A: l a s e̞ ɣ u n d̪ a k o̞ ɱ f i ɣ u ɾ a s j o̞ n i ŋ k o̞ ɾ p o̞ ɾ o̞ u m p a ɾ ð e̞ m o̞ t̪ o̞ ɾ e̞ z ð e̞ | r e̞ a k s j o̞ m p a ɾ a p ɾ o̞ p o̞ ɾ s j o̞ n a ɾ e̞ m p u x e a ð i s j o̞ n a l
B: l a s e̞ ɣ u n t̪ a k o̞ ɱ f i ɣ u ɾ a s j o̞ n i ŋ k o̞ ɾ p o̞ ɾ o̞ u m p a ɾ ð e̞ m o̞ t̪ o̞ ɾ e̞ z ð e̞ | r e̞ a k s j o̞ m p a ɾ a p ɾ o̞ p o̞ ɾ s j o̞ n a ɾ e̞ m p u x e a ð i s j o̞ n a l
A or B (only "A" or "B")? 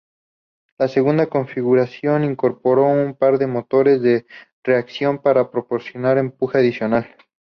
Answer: A